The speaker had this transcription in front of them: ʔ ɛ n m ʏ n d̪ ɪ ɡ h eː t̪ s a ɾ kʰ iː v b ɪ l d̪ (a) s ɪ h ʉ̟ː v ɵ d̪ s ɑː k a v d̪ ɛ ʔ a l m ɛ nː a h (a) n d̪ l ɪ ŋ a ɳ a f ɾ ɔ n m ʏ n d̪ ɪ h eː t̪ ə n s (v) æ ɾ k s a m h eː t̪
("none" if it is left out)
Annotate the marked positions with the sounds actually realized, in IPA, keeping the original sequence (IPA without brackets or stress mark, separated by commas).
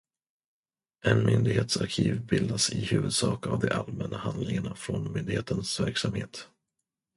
a, a, v